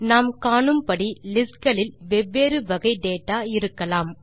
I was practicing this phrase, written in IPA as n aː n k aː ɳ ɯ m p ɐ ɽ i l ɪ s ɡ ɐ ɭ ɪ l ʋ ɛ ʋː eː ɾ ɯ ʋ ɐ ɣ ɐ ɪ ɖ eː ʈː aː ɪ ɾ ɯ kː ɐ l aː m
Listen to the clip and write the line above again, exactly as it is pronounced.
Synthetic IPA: n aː m k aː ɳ ɯ m p ɐ ɽ i l ɪ s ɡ ɐ ɭ ɪ l ʋ ɛ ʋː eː ɾ ɯ ʋ ɐ ɣ ɐ ɪ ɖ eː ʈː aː ɪ ɾ ɯ kː ɐ l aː m